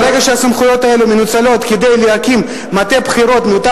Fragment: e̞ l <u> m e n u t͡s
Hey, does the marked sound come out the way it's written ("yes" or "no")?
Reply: yes